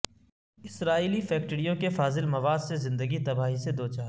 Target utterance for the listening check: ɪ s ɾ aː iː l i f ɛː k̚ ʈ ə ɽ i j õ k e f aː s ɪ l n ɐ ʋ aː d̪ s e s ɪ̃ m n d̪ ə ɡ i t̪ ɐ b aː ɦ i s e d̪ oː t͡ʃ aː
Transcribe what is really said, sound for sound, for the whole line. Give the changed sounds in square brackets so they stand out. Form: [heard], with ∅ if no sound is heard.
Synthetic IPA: ɪ s ɾ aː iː l i f ɛː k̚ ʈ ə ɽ i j õ k e f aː [z] ɪ l [m] ɐ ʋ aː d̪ s e [z] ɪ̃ [∅] n d̪ ə ɡ i t̪ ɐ b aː ɦ i s e d̪ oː t͡ʃ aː